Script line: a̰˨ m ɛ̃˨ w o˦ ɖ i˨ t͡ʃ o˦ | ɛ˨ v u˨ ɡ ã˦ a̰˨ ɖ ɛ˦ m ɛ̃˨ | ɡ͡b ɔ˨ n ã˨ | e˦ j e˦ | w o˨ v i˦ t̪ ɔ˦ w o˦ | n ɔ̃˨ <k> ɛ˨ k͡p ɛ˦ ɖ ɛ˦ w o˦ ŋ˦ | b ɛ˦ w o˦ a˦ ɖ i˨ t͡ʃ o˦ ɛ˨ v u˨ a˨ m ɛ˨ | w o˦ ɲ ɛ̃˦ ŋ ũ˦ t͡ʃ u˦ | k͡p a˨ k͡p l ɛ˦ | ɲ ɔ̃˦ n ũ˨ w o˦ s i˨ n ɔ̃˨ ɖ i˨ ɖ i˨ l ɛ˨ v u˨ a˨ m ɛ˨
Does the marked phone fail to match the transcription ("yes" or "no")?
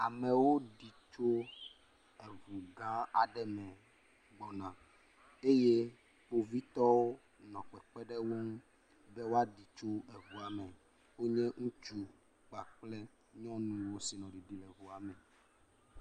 yes